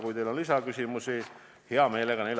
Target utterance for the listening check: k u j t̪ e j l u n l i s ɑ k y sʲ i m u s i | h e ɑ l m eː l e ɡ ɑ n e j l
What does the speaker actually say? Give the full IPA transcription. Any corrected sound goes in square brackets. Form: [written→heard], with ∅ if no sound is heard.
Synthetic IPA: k u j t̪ e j l [u→o] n l i s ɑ k y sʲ i m u s i | h e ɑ [l→∅] m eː l e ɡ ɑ n e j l